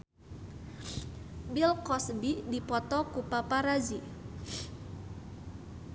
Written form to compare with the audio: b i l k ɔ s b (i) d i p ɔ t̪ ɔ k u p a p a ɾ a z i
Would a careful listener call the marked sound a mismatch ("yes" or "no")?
no